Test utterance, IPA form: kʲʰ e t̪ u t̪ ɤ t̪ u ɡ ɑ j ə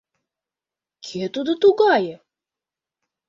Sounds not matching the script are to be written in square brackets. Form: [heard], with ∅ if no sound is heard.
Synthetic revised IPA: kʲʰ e t̪ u [d̪] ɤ t̪ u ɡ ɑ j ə

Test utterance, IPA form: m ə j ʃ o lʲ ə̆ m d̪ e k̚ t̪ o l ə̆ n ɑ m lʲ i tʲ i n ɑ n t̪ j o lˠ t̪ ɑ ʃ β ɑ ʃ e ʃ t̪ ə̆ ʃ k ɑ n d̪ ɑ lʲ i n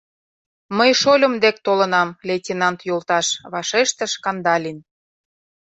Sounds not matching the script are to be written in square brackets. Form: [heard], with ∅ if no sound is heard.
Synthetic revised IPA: m ə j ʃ o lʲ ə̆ m d̪ e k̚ t̪ o l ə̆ n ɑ m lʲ [e] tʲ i n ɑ n t̪ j o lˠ t̪ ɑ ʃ β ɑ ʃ e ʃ t̪ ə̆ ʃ k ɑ n d̪ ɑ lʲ i n

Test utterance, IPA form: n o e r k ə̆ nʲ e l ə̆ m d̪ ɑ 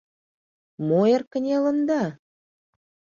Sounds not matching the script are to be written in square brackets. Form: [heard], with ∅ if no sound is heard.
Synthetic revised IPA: [m] o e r k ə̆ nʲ e l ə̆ [n] d̪ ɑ

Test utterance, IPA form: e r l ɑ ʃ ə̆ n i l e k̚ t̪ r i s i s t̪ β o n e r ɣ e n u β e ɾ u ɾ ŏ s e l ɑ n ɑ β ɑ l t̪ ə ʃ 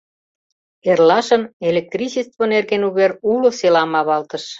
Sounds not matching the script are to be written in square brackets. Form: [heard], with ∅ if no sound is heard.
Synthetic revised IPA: e r l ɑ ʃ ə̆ n [e] l e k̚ t̪ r i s i s t̪ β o n e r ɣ e n u β e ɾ u [l] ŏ s e l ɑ [m] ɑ β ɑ l t̪ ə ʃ

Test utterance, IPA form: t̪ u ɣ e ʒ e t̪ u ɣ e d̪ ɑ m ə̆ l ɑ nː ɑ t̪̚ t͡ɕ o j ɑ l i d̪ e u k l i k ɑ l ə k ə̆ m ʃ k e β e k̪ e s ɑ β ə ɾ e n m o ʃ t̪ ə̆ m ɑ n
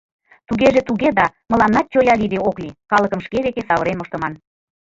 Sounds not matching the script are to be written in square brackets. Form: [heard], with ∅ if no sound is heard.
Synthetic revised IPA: t̪ u ɣ e ʒ e t̪ u ɣ e d̪ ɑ m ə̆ l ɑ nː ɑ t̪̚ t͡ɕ o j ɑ l i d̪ e [o] k l i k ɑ l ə k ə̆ m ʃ k e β e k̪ e s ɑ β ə ɾ e n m o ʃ t̪ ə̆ m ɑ n

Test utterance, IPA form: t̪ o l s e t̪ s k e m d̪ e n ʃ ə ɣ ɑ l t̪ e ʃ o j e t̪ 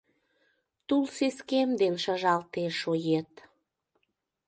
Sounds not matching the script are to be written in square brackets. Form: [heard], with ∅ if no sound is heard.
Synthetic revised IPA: t̪ [u] l s e [∅] s k e m d̪ e n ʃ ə [ʒ] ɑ l t̪ e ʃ o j e t̪

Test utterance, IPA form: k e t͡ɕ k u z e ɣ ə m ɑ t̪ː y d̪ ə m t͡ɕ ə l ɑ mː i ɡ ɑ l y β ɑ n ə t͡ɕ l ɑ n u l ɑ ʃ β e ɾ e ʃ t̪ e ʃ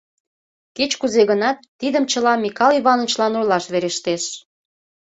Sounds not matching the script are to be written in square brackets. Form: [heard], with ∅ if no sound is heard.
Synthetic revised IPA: k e t͡ɕ k u z e ɣ ə [n] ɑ t̪ː [i] d̪ ə m t͡ɕ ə l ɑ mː i [k] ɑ l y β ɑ n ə t͡ɕ l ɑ n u l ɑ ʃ β e ɾ e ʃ t̪ e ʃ

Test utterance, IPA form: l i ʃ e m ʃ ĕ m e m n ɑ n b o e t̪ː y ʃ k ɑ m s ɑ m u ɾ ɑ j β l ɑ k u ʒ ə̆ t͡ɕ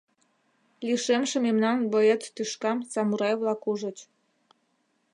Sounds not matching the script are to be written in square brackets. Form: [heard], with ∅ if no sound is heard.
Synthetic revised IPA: l i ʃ e m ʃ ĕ m e m n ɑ n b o e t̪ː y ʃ k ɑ m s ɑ m u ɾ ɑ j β l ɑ k u ʒ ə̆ t͡ɕ

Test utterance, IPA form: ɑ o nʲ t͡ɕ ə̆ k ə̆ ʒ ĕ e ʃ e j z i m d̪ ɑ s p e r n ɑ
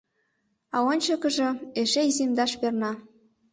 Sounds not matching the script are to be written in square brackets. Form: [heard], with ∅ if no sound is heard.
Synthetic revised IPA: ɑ o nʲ t͡ɕ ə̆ k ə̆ ʒ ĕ e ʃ e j z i m d̪ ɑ [ʃ] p e r n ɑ

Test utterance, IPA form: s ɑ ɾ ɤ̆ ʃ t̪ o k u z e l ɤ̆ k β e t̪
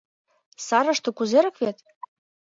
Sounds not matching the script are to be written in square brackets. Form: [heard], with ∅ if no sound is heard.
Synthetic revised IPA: s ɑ ɾ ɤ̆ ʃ t̪ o k u z e [ɾ] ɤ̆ k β e t̪

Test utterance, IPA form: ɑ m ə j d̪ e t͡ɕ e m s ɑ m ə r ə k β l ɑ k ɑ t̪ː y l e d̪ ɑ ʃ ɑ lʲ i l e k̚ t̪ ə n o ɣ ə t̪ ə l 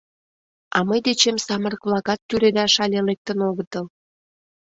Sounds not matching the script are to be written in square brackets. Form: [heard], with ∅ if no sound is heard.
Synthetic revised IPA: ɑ m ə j d̪ e t͡ɕ e m s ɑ m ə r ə k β l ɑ k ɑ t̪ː y [ɾ] e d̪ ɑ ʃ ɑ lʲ [e] l e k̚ t̪ ə n o ɣ ə t̪ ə l

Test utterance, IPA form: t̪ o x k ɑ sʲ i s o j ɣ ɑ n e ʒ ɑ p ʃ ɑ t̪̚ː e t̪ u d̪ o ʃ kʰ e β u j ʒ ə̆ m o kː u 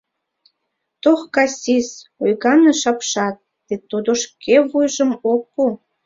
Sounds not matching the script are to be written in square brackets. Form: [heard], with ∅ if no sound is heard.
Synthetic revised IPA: t̪ o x k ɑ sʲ i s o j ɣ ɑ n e [ʃ] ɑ p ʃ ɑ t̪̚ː e t̪ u d̪ o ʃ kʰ e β u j ʒ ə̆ m o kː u

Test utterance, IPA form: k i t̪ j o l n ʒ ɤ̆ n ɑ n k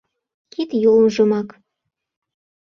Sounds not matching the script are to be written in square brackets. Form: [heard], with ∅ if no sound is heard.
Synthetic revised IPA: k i t̪ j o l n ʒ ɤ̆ [m] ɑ [∅] k

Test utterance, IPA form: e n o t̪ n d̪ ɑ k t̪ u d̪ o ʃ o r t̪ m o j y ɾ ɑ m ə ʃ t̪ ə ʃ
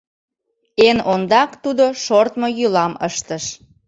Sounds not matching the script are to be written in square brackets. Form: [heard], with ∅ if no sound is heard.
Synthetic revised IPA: e n o [∅] n d̪ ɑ k t̪ u d̪ o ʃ o r t̪ m o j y [l] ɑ m ə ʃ t̪ ə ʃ

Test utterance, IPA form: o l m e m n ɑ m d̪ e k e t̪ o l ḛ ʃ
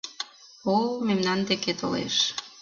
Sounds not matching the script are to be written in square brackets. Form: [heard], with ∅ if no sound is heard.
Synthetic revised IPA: o l m e m n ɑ [n] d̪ e k e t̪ o l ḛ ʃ

